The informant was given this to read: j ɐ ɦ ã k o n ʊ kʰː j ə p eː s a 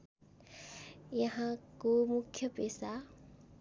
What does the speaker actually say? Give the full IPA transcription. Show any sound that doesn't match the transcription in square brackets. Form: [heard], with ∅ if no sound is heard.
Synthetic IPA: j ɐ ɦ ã k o [m] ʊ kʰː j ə p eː s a